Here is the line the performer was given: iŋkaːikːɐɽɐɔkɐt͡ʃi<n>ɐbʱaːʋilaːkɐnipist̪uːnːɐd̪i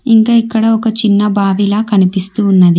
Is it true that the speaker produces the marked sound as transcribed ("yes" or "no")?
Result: no